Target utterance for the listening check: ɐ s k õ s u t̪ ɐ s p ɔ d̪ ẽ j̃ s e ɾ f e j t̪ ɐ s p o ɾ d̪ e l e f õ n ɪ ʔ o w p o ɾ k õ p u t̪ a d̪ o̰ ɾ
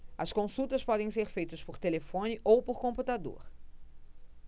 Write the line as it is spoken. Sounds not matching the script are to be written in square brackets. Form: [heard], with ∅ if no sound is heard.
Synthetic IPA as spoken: ɐ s k õ s u t̪ ɐ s p ɔ d̪ ẽ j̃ s e ɾ f e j t̪ ɐ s p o ɾ [t̪] e l e f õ n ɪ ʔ o w p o ɾ k õ p u t̪ a d̪ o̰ ɾ